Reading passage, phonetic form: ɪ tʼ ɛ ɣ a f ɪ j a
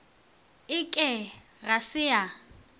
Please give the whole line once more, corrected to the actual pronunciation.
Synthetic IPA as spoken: ɪ kʼ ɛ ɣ a s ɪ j a